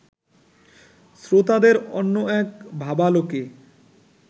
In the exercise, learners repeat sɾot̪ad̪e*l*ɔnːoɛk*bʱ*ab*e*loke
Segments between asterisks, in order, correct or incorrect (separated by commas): incorrect, correct, incorrect